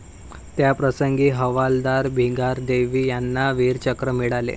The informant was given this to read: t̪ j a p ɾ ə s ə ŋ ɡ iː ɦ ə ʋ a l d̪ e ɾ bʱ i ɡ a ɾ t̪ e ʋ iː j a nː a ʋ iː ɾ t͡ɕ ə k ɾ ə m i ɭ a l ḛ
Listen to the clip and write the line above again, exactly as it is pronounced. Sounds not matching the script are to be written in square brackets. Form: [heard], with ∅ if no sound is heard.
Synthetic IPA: t̪ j a p ɾ ə s ə ŋ ɡ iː ɦ ə ʋ a l d̪ [a] ɾ bʱ i ɡ a ɾ [d̪] e ʋ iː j a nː a ʋ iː ɾ t͡ɕ ə k ɾ ə m i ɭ a l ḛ